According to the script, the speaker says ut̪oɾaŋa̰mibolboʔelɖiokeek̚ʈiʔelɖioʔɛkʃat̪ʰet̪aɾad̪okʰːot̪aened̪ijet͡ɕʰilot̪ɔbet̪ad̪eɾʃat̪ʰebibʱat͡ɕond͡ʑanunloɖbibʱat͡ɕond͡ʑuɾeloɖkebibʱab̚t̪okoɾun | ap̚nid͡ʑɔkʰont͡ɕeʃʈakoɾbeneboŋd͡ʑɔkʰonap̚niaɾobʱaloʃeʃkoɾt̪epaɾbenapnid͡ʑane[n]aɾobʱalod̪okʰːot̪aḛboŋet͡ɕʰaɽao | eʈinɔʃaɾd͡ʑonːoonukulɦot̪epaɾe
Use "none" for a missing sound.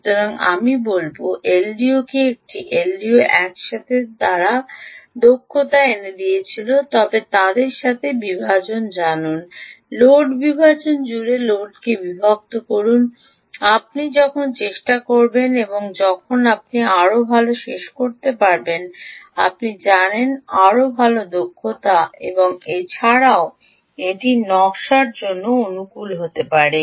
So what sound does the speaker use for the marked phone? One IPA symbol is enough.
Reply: n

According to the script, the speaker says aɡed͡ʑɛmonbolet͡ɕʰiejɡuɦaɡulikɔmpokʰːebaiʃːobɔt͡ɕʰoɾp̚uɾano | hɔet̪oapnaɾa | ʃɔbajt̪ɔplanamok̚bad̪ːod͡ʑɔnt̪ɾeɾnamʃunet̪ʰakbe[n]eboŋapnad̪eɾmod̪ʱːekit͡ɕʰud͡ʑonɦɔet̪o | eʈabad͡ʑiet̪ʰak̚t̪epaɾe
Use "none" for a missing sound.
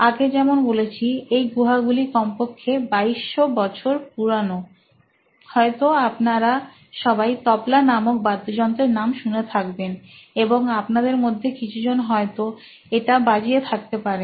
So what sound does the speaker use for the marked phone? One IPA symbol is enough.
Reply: n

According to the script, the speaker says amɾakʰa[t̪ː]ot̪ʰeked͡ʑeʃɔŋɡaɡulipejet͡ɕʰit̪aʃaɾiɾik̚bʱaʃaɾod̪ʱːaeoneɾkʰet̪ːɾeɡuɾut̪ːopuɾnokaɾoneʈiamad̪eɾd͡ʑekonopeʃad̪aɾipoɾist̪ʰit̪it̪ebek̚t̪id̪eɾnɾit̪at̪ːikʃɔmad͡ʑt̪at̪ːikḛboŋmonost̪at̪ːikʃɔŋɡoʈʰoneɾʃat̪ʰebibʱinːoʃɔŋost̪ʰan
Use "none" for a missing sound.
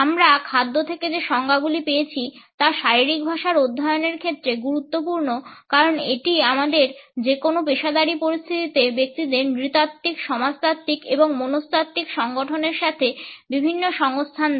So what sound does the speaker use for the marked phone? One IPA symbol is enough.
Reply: d̪ː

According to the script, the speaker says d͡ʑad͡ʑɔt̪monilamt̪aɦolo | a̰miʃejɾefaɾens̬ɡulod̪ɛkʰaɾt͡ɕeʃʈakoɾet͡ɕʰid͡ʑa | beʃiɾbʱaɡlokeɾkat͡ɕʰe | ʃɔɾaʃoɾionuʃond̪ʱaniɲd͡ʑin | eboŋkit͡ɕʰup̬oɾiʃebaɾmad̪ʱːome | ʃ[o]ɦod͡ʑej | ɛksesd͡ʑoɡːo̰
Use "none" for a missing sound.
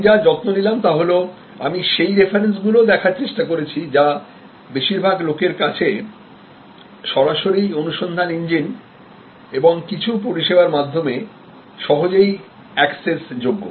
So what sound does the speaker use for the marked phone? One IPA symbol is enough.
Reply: ɔ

